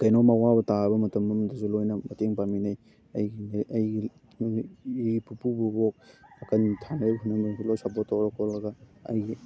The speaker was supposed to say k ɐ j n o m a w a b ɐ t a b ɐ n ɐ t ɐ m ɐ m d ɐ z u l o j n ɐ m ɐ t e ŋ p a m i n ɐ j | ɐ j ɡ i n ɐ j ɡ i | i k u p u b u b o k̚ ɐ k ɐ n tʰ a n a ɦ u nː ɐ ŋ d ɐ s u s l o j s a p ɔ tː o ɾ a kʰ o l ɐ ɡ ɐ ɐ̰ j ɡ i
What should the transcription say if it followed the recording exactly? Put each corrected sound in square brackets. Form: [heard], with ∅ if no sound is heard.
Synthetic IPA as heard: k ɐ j n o m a w a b ɐ t a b ɐ [m] ɐ t ɐ m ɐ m d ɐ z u l o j n ɐ m ɐ t e ŋ p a m i n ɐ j | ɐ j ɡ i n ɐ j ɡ i | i [p] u p u b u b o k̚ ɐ k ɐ n tʰ a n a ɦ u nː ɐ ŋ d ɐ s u [∅] l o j s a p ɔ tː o ɾ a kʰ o l ɐ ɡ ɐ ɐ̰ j ɡ i